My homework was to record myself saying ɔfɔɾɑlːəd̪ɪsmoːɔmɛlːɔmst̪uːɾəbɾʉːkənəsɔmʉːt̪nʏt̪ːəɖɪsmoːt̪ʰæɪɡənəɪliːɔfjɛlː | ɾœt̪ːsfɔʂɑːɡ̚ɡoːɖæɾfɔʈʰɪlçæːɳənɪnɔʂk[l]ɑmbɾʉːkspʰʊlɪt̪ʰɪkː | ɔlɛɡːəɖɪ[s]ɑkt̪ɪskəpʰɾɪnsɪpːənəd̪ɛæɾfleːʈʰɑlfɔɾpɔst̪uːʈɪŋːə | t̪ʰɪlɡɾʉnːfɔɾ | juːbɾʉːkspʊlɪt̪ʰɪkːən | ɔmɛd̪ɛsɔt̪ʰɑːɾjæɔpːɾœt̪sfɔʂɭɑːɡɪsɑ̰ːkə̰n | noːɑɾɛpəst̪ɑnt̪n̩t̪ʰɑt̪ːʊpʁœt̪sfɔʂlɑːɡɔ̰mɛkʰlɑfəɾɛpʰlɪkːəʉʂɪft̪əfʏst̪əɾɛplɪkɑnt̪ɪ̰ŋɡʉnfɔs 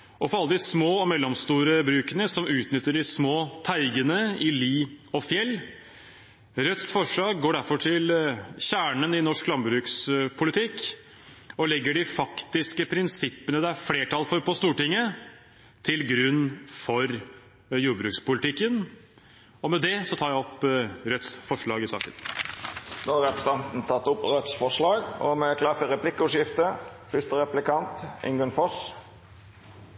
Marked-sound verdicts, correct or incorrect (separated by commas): correct, incorrect